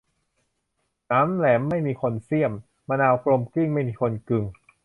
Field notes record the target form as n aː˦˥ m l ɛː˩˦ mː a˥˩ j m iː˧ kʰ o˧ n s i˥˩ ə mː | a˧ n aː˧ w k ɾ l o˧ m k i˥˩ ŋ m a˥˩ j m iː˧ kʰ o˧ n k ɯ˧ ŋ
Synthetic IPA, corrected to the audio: n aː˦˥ m l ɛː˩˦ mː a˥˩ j m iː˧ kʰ o˧ n s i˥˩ ə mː | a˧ n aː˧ w k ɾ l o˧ m k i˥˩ ŋ m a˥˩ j m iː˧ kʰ o˧ n k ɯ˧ ŋ